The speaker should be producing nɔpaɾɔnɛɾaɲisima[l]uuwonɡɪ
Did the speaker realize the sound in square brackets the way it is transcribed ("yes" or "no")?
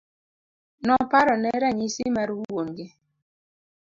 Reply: no